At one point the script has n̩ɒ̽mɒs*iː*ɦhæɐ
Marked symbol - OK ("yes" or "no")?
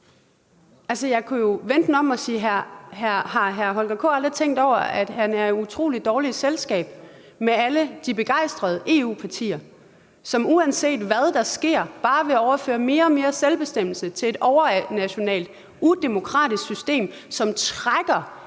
yes